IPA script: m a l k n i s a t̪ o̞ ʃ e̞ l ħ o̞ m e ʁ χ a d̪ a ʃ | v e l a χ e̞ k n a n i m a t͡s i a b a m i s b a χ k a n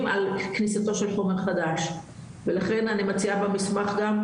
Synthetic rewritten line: m a l k n i s a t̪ o̞ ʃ e̞ l ħ o̞ m e ʁ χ a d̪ a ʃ | v e l a χ e̞ n a n i m a t͡s i a b a m i s m a χ ɡ a m